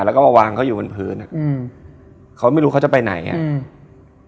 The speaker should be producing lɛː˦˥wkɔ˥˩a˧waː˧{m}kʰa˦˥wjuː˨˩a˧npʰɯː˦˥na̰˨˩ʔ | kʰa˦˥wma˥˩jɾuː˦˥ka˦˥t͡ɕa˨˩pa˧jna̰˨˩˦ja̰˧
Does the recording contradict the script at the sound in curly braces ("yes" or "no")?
yes